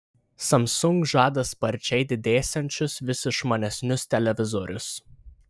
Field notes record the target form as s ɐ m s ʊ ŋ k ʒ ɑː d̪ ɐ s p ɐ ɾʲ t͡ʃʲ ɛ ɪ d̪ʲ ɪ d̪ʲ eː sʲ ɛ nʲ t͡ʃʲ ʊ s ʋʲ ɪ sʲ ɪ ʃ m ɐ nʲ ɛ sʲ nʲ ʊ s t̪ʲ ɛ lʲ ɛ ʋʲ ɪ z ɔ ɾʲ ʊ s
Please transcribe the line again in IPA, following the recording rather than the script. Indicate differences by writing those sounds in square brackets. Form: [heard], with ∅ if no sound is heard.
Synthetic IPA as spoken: s ɐ m s ʊ ŋ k ʒ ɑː d̪ ɐ s p ɐ ɾʲ t͡ʃʲ ɛ ɪ d̪ʲ ɪ d̪ʲ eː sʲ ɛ nʲ t͡ʃʲ ʊ s ʋʲ ɪ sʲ ɪ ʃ m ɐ nʲ ɛ sʲ nʲ ʊ s t̪ʲ ɛ lʲ ɛ ʋʲ ɪ z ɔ ɾʲ ʊ s

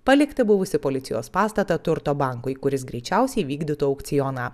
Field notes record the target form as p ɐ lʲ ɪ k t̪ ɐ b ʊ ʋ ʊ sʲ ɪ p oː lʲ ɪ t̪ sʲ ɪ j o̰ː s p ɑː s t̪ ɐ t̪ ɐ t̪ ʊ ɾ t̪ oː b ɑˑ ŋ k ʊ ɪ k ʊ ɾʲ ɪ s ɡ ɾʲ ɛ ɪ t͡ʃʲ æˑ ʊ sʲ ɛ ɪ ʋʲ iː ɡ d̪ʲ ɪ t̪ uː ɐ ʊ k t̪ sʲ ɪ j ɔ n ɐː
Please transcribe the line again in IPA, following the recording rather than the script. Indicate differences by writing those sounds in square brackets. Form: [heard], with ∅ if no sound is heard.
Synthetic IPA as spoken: p ɐ lʲ ɪ k t̪ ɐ b ʊ ʋ ʊ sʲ ɪ p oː lʲ ɪ t̪ sʲ ɪ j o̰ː s p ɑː s t̪ ɐ t̪ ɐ t̪ ʊ ɾ t̪ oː b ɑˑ ŋ k ʊ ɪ k ʊ ɾʲ ɪ s ɡ ɾʲ ɛ ɪ t͡ʃʲ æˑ ʊ sʲ ɛ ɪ ʋʲ iː ɡ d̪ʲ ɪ t̪ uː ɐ ʊ k t̪ sʲ ɪ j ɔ n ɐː

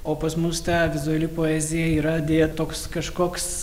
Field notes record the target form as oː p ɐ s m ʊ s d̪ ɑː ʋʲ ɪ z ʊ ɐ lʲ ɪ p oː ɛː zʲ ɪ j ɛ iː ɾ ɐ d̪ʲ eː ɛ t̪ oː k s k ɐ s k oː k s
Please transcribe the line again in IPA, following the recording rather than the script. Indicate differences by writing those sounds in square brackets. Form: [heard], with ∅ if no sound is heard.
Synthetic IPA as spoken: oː p ɐ s m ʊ s [t̪] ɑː ʋʲ ɪ z ʊ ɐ lʲ ɪ p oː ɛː zʲ ɪ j ɛ iː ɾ ɐ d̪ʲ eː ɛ t̪ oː k s k ɐ [ʃ] k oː k s

